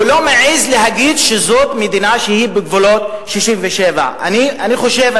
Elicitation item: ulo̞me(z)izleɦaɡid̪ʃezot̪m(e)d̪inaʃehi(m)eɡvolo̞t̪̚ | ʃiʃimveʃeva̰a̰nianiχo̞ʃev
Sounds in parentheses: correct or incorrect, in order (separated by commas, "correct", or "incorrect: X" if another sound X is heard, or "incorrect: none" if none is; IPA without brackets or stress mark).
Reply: incorrect: ʕ, correct, incorrect: b